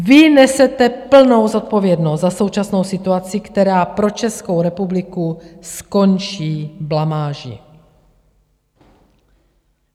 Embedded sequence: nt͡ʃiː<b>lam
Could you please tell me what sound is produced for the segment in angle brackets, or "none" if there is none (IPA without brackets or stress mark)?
b